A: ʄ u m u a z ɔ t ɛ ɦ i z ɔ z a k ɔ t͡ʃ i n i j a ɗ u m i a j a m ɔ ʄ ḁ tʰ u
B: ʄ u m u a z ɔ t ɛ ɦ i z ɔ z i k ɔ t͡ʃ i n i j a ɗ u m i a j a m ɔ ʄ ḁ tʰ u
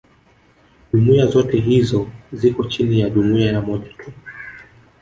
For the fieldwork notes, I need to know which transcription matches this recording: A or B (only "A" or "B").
B